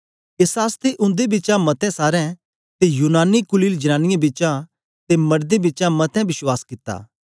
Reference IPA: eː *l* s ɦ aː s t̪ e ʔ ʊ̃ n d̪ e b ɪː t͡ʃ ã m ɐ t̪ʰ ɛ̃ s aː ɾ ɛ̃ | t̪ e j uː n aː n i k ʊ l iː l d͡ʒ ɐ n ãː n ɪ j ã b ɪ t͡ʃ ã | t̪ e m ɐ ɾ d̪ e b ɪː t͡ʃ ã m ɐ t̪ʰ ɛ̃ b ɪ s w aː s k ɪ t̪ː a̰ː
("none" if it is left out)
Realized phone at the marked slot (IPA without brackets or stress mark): none